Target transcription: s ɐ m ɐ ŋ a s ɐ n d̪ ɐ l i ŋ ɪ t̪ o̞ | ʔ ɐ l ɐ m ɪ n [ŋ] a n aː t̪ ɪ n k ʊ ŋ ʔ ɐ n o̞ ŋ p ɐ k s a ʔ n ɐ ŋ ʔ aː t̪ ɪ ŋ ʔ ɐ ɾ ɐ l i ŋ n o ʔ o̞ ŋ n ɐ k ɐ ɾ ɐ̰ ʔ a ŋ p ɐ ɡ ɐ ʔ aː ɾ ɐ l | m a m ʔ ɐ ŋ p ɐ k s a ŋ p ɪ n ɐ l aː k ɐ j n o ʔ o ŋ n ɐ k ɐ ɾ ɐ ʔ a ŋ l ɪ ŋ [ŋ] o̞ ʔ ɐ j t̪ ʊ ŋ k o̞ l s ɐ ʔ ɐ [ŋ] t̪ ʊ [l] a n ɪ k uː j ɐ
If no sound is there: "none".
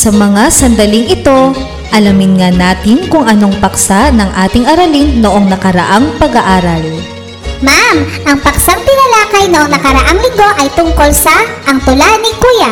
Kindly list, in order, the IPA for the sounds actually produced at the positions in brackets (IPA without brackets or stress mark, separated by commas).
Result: ŋ, ɡ, ŋ, l